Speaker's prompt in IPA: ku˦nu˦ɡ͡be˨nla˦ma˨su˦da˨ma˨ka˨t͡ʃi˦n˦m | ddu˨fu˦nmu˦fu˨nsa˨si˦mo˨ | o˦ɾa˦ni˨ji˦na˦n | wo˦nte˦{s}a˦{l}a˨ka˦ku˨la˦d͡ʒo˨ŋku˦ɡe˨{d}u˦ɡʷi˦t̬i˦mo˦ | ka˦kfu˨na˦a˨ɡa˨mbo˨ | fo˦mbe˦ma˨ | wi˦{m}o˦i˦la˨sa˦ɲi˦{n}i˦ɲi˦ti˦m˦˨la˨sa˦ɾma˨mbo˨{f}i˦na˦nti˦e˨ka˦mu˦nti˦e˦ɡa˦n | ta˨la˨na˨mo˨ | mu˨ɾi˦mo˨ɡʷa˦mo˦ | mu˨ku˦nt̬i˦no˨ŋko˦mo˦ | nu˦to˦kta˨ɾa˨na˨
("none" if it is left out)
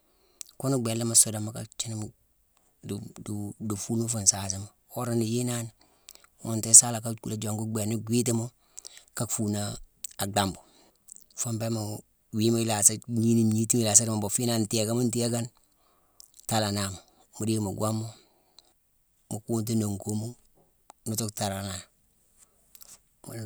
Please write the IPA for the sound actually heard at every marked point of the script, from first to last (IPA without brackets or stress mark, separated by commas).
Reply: s, l, n, m, n, f